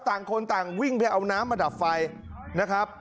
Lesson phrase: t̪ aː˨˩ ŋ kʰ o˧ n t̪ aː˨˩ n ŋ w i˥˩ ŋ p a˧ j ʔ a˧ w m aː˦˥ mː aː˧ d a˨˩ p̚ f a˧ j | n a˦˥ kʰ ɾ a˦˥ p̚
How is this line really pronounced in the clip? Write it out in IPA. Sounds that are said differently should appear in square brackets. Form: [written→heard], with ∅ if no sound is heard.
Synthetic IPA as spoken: t̪ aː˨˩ ŋ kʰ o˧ n t̪ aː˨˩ [n→∅] ŋ w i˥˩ ŋ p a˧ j ʔ a˧ w [m→n] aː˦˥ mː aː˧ d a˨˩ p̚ f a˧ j | n a˦˥ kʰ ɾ a˦˥ p̚